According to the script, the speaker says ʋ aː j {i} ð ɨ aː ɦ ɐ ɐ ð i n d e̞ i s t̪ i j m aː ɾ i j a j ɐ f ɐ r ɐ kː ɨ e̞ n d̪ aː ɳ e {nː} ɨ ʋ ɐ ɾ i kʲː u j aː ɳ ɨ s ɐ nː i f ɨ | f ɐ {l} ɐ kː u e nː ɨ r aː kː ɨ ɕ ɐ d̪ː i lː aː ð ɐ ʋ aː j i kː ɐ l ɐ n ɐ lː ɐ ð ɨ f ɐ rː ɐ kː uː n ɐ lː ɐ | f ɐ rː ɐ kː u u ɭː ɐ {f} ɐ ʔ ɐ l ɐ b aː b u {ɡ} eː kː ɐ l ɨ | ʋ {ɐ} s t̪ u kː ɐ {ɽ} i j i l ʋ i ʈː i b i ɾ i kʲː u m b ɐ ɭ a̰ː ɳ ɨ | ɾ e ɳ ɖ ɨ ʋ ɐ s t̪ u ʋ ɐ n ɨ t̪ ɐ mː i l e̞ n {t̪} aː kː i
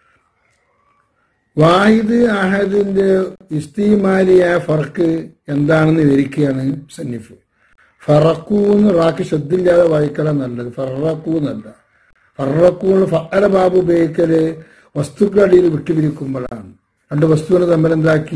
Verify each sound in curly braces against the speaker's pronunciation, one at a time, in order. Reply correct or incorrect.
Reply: correct, correct, incorrect, correct, incorrect, correct, correct, incorrect

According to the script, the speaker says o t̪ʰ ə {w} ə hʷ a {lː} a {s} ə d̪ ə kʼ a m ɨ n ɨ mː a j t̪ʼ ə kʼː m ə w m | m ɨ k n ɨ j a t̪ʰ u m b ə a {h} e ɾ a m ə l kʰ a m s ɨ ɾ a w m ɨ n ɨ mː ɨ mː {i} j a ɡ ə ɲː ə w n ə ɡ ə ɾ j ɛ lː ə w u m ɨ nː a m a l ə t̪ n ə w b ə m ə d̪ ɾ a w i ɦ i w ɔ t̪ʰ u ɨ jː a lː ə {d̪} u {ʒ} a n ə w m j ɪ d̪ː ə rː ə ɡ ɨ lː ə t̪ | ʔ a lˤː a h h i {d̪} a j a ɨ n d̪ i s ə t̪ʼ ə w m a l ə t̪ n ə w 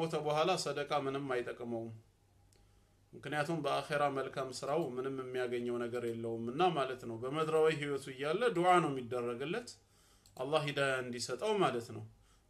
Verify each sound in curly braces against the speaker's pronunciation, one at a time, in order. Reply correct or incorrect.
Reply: incorrect, incorrect, correct, incorrect, correct, correct, incorrect, correct

